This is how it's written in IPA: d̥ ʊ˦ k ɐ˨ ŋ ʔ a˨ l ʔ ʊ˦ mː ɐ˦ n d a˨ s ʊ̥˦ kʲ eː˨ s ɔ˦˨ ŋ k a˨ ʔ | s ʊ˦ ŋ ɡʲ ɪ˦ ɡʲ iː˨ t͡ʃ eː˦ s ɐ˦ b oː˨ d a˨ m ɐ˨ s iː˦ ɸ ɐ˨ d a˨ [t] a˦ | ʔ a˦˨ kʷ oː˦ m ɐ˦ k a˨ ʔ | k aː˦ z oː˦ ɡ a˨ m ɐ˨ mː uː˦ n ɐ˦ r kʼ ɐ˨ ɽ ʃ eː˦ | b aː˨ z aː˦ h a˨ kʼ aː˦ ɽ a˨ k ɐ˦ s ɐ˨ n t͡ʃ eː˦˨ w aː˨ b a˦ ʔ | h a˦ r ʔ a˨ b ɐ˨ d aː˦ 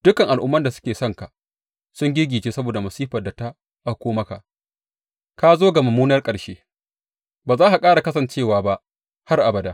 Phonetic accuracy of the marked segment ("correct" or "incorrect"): correct